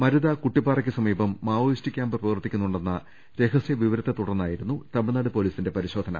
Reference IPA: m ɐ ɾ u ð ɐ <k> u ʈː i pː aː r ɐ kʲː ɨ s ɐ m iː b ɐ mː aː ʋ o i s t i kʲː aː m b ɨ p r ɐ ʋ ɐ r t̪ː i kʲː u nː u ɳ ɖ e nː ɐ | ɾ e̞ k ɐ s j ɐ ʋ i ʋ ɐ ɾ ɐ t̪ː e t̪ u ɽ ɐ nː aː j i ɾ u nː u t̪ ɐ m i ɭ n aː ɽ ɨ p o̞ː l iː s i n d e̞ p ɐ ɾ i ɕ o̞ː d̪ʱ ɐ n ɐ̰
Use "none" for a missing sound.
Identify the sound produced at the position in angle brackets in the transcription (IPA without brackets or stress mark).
k